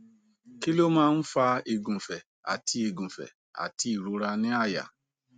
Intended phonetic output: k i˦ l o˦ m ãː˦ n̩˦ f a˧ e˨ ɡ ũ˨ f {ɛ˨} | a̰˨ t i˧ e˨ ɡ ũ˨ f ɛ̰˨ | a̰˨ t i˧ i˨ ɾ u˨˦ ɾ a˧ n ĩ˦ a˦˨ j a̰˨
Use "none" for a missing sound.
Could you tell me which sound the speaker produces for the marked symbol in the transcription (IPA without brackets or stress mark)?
ɛ˨